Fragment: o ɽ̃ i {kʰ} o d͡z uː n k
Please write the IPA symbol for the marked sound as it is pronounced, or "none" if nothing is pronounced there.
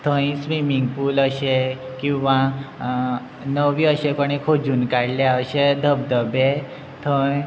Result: kʰ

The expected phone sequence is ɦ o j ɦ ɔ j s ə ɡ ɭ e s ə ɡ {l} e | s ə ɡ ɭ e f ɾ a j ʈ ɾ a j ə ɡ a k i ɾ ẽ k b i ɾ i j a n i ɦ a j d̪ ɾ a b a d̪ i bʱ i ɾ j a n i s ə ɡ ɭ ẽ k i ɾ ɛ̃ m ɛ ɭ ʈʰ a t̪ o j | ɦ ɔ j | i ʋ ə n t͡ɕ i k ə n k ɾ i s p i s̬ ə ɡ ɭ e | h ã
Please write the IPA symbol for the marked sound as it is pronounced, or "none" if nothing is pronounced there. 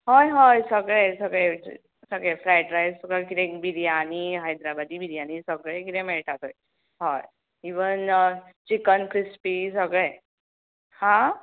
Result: ɭ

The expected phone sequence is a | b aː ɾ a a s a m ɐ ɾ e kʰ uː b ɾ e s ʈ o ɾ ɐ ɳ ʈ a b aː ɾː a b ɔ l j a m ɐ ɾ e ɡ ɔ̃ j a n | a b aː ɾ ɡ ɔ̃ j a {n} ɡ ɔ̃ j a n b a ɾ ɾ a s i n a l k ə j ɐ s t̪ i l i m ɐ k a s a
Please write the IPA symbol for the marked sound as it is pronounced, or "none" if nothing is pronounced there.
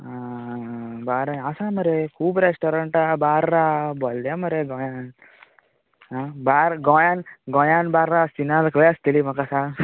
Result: n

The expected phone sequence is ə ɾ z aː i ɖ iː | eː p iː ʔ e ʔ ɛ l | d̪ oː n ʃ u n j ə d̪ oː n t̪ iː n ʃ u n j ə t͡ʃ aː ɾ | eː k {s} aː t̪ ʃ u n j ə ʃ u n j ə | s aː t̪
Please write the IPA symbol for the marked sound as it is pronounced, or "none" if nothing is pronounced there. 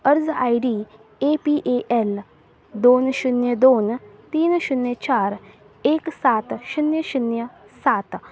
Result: s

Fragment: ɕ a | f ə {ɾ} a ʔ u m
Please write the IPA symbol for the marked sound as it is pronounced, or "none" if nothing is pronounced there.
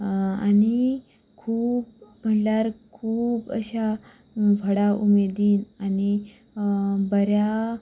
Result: ɽ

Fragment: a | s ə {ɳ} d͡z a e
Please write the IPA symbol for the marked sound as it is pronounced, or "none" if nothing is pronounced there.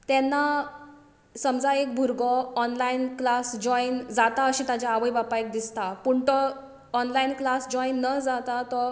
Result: m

